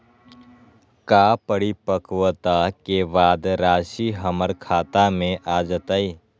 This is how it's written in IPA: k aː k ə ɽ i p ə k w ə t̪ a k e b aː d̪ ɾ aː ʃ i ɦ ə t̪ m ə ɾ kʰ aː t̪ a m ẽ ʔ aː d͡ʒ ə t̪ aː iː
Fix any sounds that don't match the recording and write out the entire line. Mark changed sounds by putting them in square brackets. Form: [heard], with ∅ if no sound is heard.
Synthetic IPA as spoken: k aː [p] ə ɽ i p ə k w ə t̪ a k e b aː d̪ ɾ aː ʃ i ɦ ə [∅] m ə ɾ kʰ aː t̪ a m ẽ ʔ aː d͡ʒ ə t̪ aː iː